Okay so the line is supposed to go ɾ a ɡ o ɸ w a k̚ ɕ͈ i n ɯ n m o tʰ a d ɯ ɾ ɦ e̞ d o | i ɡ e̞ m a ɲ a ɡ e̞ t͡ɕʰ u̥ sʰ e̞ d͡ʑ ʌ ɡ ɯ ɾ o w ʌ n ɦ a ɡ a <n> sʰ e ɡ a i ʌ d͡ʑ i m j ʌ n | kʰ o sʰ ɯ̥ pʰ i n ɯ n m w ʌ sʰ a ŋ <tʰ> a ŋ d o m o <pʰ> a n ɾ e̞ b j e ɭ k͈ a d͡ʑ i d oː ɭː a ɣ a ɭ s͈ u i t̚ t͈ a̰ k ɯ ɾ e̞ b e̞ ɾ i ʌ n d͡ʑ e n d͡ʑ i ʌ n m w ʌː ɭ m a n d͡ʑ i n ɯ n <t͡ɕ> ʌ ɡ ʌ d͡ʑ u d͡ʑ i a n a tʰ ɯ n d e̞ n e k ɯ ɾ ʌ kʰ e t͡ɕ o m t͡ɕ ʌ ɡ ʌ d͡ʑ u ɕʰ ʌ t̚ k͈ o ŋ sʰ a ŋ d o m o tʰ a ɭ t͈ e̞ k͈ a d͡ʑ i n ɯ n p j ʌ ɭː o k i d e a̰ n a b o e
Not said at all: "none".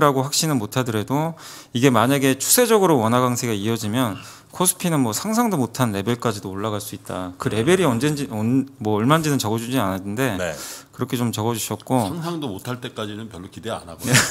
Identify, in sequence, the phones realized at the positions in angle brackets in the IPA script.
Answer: ŋ, sʰ, tʰ, t͡ɕ

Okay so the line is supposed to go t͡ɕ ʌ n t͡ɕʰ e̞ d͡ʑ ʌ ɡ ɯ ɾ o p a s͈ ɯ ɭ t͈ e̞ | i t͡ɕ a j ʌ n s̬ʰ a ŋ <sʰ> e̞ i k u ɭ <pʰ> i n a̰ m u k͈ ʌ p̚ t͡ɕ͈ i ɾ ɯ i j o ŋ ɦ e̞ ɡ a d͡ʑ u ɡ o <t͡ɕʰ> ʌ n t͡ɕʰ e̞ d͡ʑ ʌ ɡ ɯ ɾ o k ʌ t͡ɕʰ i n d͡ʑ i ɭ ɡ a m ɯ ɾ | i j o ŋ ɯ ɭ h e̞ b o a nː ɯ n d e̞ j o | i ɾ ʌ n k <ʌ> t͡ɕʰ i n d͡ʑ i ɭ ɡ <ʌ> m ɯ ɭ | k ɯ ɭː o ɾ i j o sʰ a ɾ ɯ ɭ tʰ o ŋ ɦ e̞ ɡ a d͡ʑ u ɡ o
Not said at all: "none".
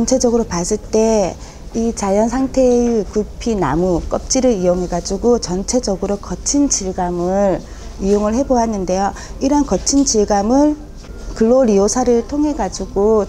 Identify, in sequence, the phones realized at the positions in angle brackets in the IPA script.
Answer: tʰ, pʰ, t͡ɕ, ʌ, a

